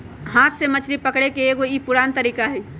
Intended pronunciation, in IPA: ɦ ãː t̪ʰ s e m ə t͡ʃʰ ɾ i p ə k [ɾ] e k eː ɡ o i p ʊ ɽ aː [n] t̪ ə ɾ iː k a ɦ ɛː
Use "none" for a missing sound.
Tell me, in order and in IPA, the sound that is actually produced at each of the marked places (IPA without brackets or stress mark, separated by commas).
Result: ɽ, n